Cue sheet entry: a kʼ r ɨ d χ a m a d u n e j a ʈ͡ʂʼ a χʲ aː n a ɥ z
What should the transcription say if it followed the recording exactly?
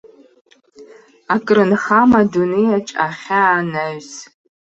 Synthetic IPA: a kʼ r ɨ n χ a m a d u n e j a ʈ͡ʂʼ a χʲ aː n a ɥ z